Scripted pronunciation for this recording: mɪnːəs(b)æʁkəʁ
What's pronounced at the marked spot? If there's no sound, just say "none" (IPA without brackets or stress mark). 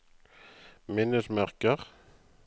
m